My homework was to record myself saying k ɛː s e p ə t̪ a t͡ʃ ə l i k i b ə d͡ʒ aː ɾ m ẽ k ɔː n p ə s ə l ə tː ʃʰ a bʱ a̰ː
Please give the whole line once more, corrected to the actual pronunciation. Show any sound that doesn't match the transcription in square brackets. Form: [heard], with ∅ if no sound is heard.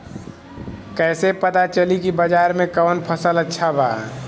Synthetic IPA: k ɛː s e p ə t̪ a t͡ʃ ə l i k i b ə d͡ʒ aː ɾ m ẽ k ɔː n [pʰ] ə s ə l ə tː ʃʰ a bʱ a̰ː

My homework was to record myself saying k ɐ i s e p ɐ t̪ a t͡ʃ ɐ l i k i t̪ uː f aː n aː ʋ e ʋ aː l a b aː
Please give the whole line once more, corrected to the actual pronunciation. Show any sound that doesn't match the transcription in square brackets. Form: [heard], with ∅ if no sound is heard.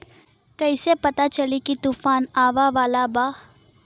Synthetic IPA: k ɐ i s e p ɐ t̪ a t͡ʃ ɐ l i k i t̪ uː f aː n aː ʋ [a] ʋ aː l a b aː

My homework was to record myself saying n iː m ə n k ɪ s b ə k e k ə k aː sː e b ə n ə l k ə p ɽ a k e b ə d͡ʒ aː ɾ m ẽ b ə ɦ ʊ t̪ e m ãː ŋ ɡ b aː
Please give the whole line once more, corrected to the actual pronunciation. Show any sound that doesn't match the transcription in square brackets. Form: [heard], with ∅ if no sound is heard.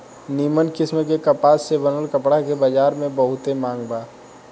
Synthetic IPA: n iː m ə n k ɪ s [m] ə k e k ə [p] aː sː e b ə n ə l k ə p ɽ a k e b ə d͡ʒ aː ɾ m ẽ b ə ɦ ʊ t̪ e m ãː ŋ ɡ b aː

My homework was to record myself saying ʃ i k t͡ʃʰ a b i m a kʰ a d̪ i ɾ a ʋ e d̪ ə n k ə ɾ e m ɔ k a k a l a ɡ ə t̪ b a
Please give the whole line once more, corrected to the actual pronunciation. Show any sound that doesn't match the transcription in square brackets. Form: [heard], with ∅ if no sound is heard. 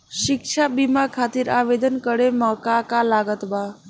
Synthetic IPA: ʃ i k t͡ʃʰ a b i m a kʰ a [t̪] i ɾ a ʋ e d̪ ə n k ə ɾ e m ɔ k a k a l a ɡ ə t̪ b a

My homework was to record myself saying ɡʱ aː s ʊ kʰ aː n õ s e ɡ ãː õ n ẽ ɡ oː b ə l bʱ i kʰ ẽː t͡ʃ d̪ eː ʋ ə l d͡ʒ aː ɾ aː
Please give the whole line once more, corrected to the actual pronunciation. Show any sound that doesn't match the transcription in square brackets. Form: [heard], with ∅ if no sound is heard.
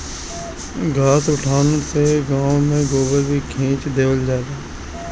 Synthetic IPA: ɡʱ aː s ʊ [ʈʰ] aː n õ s e ɡ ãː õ [m] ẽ ɡ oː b ə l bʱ i kʰ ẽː t͡ʃ d̪ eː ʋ ə l d͡ʒ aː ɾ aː

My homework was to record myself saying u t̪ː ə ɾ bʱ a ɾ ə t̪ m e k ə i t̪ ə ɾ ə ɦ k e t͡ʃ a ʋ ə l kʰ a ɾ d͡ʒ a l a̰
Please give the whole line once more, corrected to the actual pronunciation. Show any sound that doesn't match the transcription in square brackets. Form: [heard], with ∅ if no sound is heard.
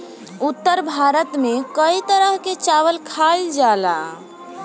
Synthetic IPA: u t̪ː ə ɾ bʱ a ɾ ə t̪ m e k ə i t̪ ə ɾ ə ɦ k e t͡ʃ a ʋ ə l kʰ a [l] d͡ʒ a l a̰

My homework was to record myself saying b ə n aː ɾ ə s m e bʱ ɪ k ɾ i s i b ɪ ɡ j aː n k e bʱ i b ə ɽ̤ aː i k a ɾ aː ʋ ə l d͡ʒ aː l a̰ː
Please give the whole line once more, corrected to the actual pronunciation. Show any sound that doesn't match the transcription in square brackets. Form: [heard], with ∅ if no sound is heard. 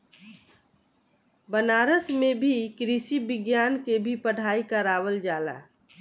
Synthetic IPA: b ə n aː ɾ ə s m e bʱ [i] k ɾ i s i b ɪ ɡ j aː n k e bʱ i [p] ə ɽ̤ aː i k a ɾ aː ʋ ə l d͡ʒ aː l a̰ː

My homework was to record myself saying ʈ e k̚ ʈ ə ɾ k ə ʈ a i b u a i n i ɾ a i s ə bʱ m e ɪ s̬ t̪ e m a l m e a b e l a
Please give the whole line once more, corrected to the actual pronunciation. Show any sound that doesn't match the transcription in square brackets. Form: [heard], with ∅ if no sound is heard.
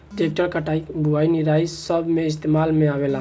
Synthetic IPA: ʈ e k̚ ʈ ə ɾ k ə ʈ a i b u a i n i ɾ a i s ə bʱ m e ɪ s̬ t̪ e m a l m e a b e l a

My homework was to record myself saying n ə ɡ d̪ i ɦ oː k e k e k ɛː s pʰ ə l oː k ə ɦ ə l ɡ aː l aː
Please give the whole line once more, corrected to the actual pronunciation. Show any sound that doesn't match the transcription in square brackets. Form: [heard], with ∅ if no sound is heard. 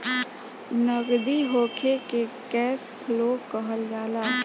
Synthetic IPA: n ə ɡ d̪ i ɦ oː [kʰ] e k e k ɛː s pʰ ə l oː k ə ɦ ə l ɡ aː l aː

